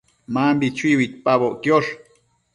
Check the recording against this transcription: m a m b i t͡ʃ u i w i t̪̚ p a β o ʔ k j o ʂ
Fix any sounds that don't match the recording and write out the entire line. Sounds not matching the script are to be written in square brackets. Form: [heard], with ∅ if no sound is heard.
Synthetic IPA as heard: m a m b i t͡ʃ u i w i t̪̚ p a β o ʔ k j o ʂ